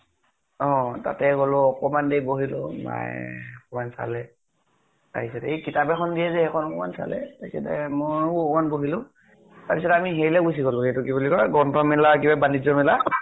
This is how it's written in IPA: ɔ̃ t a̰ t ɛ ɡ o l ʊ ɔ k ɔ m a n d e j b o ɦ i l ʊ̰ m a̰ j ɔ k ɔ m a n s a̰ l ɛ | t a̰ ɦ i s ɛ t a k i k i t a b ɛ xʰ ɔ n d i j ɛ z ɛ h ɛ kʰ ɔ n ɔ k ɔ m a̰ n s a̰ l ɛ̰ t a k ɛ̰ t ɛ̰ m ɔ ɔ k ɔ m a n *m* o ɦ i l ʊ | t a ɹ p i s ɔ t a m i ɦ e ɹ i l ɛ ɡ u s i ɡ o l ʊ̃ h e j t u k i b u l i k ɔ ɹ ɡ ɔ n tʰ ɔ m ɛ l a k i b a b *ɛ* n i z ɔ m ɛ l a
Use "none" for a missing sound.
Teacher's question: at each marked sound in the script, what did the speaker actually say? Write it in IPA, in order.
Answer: b, a

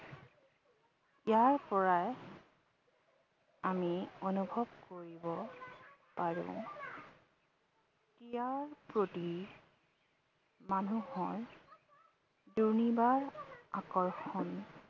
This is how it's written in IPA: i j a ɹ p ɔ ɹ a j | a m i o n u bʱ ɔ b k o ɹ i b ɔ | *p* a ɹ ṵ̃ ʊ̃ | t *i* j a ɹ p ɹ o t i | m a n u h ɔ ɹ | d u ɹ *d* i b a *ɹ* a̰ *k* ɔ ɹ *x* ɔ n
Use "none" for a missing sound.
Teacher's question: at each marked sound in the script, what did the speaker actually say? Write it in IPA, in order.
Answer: p, i, n, ɹ, k, x

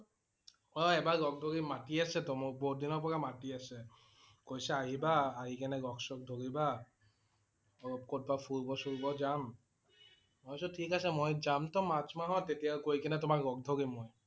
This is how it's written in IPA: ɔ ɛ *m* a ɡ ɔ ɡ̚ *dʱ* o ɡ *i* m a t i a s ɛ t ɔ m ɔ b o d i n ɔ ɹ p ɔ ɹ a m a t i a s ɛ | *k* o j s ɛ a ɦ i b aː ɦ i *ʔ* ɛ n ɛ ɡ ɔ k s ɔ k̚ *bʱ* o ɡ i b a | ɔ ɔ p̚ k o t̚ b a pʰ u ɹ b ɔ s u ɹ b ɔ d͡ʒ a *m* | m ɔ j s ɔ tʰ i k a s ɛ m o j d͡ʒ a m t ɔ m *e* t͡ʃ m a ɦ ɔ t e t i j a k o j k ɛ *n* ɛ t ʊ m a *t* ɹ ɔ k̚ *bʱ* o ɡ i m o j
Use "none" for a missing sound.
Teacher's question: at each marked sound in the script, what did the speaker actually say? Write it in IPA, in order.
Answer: b, dʱ, i, k, k, dʱ, m, a, n, k, dʱ

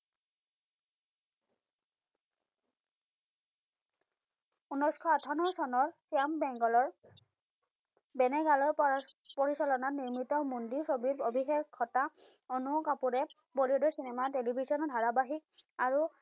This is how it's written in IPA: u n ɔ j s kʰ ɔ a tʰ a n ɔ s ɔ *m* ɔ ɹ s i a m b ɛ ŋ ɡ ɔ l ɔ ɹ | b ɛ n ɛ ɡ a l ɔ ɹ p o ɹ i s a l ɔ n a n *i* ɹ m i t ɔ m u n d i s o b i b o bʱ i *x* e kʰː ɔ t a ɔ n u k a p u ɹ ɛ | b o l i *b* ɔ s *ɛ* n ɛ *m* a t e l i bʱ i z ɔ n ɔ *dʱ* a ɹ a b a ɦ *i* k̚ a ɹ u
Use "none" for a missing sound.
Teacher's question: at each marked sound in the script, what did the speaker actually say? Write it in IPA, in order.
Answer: n, i, x, d, i, m, dʱ, i

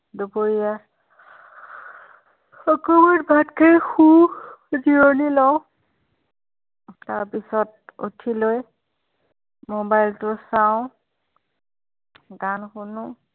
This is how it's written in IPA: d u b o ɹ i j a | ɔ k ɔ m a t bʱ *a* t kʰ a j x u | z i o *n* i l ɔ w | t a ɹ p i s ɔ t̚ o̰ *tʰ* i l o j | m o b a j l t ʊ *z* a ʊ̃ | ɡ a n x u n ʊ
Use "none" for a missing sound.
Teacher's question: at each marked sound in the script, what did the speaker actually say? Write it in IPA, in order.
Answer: a, n, tʰ, s

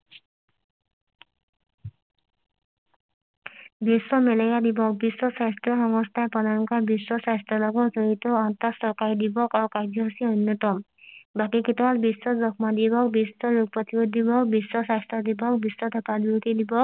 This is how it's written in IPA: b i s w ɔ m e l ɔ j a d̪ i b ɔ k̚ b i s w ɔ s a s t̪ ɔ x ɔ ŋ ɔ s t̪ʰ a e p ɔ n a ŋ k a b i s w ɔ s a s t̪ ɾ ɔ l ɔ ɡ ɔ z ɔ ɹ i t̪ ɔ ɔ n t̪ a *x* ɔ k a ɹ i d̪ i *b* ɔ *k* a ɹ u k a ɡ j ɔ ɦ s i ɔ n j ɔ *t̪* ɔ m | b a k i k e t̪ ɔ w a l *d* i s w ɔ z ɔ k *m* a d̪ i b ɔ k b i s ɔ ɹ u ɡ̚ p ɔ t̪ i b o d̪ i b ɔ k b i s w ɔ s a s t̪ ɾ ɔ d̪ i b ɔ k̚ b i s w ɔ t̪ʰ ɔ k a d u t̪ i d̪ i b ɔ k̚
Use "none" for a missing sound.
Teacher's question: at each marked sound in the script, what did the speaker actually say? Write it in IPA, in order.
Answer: s, b, k, t̪, b, m

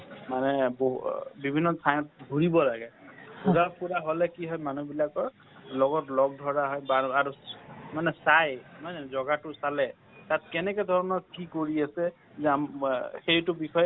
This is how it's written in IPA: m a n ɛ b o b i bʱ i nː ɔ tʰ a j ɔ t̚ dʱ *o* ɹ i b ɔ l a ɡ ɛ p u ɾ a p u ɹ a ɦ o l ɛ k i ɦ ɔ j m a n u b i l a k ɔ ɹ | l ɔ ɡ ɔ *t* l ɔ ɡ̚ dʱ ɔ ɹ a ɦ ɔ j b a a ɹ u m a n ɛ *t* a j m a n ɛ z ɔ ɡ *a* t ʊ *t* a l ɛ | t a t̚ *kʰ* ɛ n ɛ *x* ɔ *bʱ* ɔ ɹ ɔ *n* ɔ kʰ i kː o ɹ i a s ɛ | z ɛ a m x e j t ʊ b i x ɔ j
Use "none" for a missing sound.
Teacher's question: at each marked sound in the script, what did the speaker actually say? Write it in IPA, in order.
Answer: u, t, s, a, s, k, k, dʱ, n

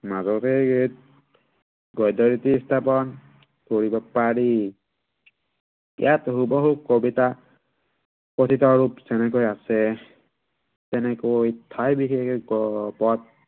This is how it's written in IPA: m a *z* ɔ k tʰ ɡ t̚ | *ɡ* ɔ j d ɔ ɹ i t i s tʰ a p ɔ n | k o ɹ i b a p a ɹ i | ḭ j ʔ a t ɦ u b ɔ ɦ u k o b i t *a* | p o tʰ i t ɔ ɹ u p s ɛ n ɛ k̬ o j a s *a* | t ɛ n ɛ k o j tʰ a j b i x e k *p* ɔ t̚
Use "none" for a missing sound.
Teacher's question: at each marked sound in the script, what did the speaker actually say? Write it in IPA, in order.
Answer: z, ɡ, a, ɛ, p

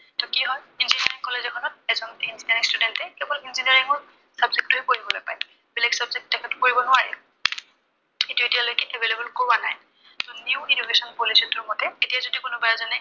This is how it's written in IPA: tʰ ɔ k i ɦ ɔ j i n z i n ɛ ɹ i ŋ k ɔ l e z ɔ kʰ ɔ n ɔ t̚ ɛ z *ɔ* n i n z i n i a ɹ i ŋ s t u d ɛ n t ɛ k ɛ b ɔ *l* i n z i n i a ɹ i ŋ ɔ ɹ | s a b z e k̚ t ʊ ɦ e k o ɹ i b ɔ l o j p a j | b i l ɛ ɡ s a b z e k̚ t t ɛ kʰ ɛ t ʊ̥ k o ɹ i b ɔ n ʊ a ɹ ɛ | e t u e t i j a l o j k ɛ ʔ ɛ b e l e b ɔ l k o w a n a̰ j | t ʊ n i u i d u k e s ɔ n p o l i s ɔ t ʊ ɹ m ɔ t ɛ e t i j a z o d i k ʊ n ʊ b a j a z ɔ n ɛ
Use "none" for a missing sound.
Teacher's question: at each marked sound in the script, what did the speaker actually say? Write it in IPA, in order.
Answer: ɔ, l

